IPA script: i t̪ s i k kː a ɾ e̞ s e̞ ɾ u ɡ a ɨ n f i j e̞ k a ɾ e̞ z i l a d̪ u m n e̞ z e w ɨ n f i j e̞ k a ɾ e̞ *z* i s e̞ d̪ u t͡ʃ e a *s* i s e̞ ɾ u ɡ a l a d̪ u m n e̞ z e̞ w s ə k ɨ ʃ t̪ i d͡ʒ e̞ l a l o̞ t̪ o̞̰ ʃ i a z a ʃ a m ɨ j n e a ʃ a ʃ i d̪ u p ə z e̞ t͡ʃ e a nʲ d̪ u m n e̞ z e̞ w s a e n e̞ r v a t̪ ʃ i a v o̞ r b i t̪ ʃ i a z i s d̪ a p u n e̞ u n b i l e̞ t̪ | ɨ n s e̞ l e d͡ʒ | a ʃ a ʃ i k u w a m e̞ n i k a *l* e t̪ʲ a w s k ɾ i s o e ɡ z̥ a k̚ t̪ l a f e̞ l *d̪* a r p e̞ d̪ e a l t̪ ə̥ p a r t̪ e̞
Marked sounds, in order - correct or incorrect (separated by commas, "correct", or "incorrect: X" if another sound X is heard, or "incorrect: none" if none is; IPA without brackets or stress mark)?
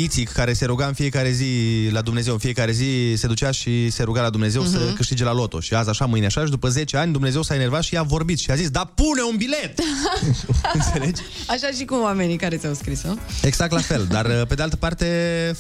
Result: correct, incorrect: ʃ, incorrect: ɾ, correct